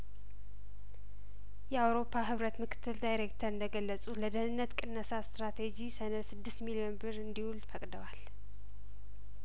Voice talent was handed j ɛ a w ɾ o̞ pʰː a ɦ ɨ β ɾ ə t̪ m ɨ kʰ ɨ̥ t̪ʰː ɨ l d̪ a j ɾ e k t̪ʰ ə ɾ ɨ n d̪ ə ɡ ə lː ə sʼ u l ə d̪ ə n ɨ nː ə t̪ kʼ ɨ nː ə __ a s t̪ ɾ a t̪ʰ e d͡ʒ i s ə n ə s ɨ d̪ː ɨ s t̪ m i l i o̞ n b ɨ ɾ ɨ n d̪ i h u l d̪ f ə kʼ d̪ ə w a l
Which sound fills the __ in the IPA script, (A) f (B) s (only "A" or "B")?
B